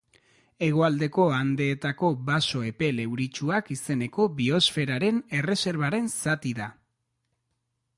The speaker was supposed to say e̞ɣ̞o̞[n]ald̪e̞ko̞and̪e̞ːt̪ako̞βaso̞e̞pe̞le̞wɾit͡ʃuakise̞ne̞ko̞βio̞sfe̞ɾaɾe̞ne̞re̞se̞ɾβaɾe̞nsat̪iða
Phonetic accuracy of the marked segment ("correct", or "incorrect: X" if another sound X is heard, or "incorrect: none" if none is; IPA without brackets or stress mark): incorrect: none